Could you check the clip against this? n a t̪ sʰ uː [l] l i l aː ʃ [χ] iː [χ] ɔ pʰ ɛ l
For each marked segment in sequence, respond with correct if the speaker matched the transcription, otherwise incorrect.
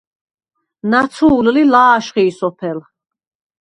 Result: correct, correct, incorrect

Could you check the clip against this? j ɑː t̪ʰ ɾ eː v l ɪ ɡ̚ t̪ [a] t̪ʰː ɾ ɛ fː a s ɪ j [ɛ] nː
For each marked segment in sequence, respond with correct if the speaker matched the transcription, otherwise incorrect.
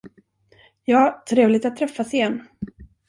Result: correct, correct

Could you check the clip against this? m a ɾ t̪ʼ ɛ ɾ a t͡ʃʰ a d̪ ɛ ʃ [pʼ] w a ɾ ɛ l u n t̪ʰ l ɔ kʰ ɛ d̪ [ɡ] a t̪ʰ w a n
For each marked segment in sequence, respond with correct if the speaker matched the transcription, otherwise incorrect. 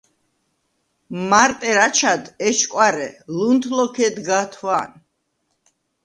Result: incorrect, correct

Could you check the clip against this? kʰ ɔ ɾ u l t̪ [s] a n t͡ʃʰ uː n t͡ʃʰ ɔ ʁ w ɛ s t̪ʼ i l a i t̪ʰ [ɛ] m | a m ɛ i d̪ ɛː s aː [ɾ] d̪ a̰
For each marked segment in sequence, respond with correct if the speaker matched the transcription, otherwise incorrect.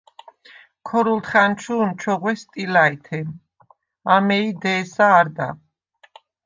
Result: incorrect, correct, correct

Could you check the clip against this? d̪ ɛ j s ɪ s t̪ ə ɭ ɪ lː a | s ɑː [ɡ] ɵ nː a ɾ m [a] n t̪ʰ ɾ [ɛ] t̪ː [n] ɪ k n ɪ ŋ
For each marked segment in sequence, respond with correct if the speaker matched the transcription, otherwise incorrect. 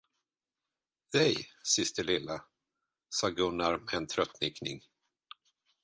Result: correct, incorrect, incorrect, correct

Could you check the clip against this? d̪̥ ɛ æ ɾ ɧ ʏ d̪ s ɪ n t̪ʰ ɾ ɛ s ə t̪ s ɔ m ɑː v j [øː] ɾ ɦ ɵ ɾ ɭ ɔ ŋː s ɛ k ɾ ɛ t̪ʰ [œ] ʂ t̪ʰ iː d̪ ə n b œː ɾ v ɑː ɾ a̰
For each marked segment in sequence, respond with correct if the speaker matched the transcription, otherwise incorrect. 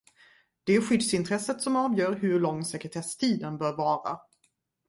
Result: incorrect, incorrect

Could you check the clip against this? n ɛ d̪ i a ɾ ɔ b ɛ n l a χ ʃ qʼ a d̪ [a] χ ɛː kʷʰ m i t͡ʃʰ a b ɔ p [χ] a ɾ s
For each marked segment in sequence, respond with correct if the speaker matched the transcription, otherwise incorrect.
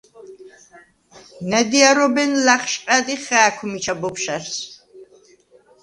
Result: incorrect, incorrect

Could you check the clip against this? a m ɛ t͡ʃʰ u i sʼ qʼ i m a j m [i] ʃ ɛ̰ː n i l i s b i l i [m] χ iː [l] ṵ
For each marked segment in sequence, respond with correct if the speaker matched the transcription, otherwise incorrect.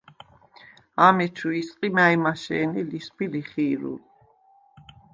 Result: incorrect, incorrect, incorrect

